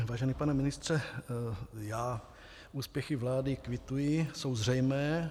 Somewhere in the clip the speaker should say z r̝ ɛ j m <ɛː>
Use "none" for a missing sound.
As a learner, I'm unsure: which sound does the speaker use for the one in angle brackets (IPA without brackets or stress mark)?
ɛː